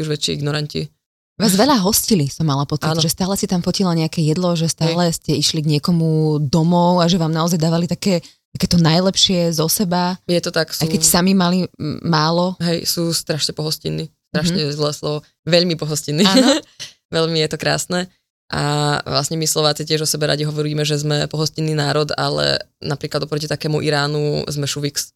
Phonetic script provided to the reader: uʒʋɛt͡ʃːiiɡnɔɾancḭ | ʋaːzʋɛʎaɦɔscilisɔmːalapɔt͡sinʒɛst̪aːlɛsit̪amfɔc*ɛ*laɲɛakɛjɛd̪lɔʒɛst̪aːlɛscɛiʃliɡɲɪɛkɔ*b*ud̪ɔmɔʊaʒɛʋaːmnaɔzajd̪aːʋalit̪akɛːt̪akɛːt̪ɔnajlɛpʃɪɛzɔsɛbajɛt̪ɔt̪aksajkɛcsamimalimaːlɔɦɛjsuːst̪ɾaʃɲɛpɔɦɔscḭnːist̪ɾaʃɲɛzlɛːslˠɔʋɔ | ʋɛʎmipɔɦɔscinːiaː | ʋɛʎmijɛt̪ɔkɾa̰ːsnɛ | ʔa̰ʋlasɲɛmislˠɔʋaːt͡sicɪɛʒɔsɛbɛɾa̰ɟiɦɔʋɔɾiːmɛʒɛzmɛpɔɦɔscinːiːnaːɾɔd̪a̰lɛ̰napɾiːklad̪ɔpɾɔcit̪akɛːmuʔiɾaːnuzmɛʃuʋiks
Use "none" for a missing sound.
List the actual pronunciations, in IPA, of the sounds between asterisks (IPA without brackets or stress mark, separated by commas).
i, m